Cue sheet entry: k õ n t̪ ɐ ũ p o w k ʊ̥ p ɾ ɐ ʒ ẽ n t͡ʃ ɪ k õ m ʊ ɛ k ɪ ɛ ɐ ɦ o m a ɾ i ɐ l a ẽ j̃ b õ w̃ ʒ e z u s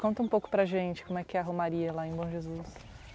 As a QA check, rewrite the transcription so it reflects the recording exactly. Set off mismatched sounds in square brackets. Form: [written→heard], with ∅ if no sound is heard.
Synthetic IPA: k õ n t̪ ɐ ũ p o w k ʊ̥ p ɾ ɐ ʒ ẽ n t͡ʃ ɪ k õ m ʊ ɛ k ɪ ɛ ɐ ɦ o m a ɾ i ɐ l a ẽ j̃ b õ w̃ ʒ e z u s